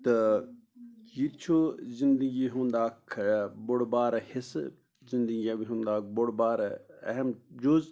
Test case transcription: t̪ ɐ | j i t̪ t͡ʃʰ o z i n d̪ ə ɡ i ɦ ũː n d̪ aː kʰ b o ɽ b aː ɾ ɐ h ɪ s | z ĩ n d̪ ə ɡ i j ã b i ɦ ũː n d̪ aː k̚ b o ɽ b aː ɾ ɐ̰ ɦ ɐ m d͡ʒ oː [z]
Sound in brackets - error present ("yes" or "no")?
no